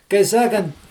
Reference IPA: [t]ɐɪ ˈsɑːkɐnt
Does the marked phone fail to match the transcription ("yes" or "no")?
yes